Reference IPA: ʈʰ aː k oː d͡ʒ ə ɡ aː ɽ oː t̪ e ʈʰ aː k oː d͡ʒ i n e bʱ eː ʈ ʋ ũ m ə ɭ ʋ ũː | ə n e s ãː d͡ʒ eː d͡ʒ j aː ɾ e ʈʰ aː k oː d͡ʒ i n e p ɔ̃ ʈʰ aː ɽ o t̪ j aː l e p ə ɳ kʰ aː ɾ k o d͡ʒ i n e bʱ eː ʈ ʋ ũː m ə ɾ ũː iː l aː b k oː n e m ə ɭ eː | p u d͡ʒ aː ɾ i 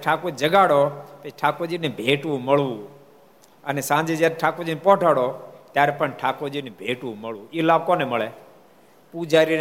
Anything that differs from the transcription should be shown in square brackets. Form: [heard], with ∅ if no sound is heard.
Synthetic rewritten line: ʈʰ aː k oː d͡ʒ ə ɡ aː ɽ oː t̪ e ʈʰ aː k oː d͡ʒ i n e bʱ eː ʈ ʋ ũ m ə ɭ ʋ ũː | ə n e s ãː d͡ʒ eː d͡ʒ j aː ɾ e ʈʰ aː k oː d͡ʒ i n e p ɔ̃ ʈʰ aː ɽ o t̪ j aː [ɾ] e p ə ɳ [ʈʰ] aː [∅] k o d͡ʒ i n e bʱ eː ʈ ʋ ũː m ə [ɭ] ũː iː l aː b k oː n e m ə ɭ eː | p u d͡ʒ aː ɾ i